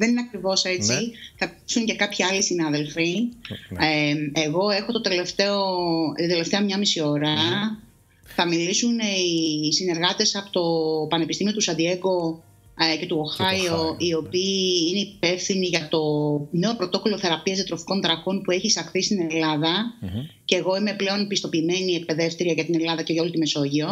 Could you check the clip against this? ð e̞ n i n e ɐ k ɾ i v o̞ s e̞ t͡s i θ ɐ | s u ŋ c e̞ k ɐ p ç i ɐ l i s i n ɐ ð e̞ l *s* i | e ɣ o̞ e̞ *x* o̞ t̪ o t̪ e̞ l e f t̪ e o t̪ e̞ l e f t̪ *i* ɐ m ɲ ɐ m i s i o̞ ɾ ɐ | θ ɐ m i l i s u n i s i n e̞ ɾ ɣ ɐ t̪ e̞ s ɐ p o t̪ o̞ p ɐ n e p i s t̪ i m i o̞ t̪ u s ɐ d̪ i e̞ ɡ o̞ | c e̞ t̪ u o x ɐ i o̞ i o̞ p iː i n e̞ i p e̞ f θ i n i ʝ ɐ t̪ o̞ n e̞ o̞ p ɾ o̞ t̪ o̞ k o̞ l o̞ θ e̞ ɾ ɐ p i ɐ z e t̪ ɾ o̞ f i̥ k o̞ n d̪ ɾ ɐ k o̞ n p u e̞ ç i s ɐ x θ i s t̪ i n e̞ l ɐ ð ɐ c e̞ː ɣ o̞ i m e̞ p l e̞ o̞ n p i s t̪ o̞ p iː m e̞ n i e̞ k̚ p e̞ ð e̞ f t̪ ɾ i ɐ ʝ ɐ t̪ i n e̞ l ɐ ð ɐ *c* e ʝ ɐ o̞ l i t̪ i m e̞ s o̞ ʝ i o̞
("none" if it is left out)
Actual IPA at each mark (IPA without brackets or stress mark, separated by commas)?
f, x, e, c